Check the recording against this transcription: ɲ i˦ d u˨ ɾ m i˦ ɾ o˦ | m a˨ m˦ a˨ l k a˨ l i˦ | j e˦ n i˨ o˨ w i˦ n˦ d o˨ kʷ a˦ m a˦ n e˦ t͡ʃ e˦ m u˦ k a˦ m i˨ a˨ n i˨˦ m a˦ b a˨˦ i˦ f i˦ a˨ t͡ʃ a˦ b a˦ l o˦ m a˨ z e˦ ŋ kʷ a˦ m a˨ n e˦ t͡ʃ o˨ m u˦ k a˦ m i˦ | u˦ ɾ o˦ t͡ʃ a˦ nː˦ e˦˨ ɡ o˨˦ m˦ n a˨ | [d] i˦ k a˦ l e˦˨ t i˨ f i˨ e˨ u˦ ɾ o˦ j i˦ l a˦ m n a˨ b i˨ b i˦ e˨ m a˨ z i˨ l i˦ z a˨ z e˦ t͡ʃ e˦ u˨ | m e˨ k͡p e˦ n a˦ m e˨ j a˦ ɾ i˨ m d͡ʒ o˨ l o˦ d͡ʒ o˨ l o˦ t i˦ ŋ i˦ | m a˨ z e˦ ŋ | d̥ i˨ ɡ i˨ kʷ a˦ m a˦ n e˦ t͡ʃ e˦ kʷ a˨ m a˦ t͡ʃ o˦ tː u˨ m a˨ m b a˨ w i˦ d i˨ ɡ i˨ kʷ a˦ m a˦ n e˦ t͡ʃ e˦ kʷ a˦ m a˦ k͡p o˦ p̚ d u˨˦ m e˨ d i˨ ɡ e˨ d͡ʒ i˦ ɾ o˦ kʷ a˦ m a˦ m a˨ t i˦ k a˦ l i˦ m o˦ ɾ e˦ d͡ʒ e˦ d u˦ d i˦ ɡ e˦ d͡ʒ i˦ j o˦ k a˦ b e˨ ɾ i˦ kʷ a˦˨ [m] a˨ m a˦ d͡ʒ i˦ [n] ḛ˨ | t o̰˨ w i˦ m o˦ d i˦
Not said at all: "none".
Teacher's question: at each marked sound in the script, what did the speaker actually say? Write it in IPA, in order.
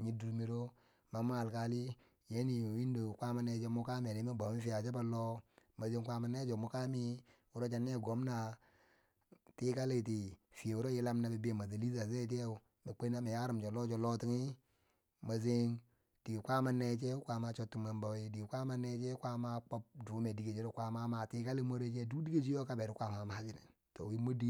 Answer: t, m, n

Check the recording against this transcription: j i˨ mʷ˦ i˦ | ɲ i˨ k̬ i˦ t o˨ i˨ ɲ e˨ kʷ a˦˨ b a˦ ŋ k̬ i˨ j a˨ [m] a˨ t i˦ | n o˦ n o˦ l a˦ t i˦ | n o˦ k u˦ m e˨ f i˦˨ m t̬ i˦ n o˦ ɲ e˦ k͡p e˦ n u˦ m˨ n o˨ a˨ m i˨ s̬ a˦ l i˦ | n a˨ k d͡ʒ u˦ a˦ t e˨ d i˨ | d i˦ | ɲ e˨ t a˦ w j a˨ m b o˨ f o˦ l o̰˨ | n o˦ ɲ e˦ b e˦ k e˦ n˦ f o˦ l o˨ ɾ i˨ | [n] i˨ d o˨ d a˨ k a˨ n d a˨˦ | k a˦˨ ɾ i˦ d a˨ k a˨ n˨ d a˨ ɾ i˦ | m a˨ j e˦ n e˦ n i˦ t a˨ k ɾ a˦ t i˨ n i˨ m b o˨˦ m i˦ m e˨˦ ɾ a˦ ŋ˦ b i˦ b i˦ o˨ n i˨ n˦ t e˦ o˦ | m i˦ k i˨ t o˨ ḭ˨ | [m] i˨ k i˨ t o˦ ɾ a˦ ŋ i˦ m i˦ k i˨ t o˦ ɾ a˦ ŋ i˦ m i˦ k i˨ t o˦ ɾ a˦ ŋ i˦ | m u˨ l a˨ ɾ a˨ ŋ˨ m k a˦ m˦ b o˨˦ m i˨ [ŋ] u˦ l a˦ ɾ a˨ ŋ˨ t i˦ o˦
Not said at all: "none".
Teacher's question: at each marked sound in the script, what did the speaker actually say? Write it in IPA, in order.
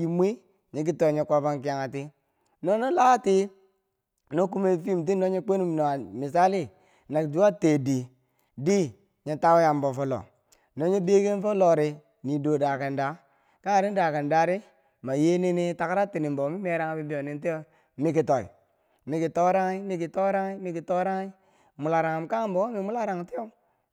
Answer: ŋ, n, m, m

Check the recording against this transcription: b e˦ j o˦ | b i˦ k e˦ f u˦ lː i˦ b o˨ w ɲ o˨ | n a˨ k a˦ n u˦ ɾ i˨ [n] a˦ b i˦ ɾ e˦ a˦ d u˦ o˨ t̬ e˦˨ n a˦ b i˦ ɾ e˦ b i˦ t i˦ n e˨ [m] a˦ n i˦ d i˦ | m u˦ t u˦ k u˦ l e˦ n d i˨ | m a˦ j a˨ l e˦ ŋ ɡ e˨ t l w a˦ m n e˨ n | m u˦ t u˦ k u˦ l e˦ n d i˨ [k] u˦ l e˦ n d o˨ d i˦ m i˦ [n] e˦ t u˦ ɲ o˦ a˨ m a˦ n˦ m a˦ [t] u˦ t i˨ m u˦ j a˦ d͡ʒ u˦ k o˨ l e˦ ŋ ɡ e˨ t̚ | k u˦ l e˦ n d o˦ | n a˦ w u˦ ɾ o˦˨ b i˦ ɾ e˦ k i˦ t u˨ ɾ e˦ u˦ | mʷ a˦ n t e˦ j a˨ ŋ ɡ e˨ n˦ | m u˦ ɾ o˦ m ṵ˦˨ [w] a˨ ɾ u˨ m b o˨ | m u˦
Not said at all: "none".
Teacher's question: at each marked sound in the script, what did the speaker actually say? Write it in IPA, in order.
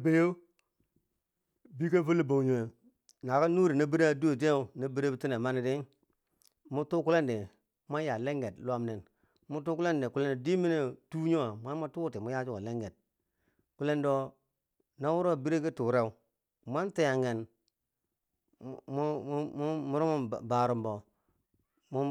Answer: n, m, k, n, t, b

